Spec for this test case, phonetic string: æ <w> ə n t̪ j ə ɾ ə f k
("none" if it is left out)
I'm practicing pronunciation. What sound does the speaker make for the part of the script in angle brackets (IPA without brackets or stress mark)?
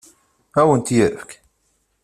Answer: w